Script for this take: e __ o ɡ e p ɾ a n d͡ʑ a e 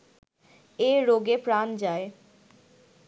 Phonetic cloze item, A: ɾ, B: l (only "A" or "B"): A